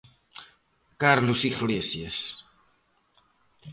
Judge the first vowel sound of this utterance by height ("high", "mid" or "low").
low